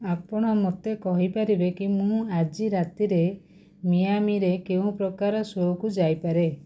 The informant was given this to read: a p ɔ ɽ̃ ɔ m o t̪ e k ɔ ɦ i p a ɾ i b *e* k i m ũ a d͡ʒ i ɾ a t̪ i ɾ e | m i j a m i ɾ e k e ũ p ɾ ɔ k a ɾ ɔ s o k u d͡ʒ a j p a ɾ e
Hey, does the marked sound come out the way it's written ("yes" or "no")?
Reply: yes